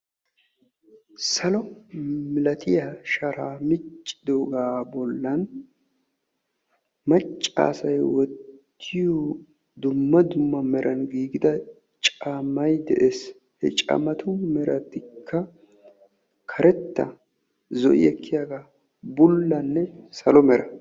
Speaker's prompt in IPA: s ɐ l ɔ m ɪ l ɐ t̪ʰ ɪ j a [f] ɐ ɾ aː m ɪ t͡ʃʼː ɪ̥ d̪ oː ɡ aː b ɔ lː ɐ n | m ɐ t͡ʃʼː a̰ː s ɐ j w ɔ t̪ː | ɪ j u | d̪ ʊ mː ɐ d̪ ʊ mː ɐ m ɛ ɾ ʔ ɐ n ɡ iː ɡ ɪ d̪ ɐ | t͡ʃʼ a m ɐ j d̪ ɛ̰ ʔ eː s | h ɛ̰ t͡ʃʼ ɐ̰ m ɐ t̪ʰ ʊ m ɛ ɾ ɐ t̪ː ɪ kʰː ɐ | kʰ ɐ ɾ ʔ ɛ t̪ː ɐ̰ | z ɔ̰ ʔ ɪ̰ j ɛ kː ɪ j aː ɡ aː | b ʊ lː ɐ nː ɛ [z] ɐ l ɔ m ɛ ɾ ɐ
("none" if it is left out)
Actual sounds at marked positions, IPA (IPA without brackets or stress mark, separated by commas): ʃ, s